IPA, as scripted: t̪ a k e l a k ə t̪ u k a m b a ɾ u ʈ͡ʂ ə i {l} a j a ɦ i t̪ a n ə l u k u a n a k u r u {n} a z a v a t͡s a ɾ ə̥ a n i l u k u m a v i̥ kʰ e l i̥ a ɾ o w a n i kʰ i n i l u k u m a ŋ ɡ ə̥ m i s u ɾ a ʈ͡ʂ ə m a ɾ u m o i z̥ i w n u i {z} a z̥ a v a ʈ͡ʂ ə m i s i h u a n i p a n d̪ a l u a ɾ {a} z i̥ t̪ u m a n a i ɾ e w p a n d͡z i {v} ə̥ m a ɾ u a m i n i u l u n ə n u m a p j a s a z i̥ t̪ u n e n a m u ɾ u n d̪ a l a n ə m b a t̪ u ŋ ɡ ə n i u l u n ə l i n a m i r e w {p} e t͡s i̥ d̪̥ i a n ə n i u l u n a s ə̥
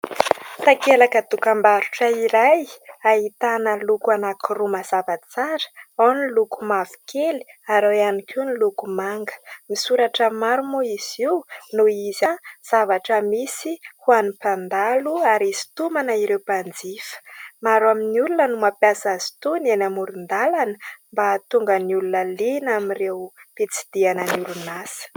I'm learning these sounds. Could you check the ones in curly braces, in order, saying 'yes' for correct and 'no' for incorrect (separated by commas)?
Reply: no, no, yes, no, no, yes